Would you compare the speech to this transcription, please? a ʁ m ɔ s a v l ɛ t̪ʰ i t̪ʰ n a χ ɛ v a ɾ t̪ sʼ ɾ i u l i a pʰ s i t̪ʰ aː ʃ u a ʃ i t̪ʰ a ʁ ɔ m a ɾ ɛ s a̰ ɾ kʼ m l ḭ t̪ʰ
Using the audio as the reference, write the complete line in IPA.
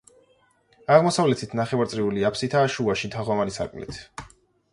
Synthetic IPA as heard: a ʁ m ɔ s a v l ɛ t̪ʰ i t̪ʰ n a χ ɛ v a ɾ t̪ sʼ ɾ i u l i a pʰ s i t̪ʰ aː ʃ u a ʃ i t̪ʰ a ʁ ɔ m a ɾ i s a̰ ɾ kʼ m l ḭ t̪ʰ